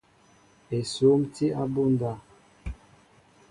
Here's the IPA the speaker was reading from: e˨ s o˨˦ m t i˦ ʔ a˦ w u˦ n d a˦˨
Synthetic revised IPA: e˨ s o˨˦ m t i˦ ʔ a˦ b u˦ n d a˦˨